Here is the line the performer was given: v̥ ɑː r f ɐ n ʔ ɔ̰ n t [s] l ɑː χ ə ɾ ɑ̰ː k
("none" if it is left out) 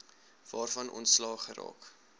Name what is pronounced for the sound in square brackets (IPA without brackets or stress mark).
s